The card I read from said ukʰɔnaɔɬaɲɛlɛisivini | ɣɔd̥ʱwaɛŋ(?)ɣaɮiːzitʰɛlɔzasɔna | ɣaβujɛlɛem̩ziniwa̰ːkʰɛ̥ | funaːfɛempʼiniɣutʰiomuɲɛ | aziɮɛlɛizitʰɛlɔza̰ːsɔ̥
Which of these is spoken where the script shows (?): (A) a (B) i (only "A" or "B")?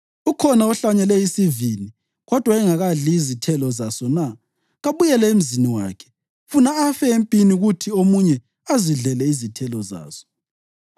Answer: A